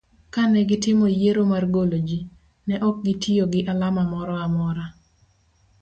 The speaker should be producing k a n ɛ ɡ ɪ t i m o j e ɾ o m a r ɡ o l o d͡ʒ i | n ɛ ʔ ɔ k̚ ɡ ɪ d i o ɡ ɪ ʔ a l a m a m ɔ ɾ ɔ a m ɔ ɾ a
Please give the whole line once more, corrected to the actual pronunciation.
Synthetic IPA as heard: k a n ɛ ɡ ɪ t ɪ m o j e ɾ o m a r ɡ o l o d͡ʒ i | n ɛ ʔ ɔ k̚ ɡ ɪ t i o ɡ ɪ ʔ a l a m a m ɔ ɾ ɔ a m ɔ ɾ a

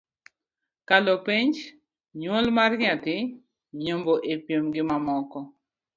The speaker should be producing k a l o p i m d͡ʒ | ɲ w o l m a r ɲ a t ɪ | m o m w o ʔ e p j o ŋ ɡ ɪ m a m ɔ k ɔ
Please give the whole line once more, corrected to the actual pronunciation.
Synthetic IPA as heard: k a l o p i ɲ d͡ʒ | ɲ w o l m a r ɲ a t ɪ | ɲ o m b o ʔ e p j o m ɡ ɪ m a m ɔ k ɔ

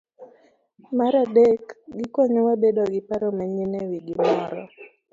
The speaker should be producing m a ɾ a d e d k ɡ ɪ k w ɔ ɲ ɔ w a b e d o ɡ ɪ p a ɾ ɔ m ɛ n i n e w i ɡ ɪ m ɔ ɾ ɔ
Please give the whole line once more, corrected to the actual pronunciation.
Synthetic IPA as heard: m a ɾ a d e k ɡ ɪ k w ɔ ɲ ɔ w a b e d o ɡ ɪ p a ɾ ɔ m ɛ ɲ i n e w i ɡ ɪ m ɔ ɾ ɔ

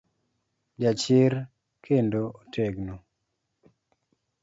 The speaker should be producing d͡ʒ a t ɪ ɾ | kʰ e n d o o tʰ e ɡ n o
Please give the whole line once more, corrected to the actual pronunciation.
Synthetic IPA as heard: d͡ʒ a t͡ʃ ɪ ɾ | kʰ e n d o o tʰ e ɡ n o

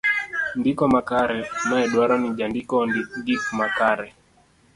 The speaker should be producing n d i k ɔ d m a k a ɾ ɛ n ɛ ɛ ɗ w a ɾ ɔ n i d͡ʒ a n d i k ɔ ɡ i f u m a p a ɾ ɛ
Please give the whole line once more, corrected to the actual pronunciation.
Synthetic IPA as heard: n d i k ɔ m a k a ɾ ɛ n a ɛ ɗ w a ɾ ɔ n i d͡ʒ a n d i k ɔ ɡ i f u m a k a ɾ ɛ

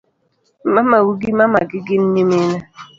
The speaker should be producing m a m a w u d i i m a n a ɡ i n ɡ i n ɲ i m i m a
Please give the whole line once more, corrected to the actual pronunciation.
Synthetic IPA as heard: m a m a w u ɡ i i m a m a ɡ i ɡ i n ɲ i m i n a

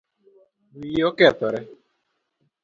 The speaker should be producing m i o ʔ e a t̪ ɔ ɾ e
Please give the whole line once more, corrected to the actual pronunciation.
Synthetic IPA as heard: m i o k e a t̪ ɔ ɾ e

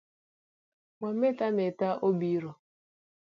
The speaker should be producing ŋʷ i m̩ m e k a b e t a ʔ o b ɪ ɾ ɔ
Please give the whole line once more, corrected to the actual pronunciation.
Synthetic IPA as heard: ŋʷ a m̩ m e t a m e t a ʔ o b i ɾ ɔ

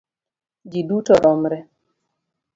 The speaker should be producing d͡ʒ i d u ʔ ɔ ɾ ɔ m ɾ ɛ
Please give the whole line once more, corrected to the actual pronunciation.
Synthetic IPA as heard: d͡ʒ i d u t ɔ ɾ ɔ m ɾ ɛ

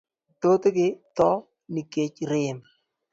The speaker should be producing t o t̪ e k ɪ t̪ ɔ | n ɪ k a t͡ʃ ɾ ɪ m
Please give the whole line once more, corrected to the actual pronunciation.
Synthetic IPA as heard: t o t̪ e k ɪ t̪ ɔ | n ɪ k e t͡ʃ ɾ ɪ m

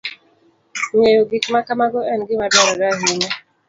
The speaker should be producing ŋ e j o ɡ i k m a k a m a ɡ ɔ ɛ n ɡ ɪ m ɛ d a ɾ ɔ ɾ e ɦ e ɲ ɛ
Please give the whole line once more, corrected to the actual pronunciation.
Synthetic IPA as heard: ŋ e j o ɡ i k m a k a m a ɡ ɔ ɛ n ɡ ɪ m a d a ɾ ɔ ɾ a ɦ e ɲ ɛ

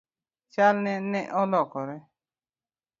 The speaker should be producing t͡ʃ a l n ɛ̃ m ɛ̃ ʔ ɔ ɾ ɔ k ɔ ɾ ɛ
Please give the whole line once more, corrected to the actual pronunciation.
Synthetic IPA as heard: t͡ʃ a l n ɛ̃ n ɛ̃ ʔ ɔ l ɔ k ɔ ɾ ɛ

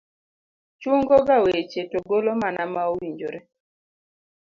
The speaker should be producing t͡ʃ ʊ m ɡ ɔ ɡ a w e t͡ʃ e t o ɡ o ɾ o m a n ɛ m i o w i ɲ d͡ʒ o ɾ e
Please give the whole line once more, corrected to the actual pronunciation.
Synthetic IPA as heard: t͡ʃ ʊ ŋ ɡ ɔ ɡ a w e t͡ʃ e t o ɡ o l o m a n a m a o w i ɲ d͡ʒ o ɾ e

